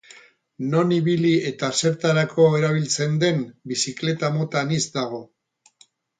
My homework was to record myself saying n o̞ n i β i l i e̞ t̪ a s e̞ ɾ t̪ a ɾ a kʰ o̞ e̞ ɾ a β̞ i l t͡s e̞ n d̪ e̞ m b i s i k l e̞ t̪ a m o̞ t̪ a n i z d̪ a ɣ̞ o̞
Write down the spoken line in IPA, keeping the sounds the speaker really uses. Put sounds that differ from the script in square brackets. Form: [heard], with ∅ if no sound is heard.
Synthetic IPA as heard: n o̞ n i β i l i e̞ t̪ a s e̞ ɾ t̪ a ɾ a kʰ o̞ e̞ ɾ a β̞ i l t͡s e̞ n d̪ e̞ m b i s i k l e̞ t̪ a m o̞ t̪ a n i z d̪ a ɣ̞ o̞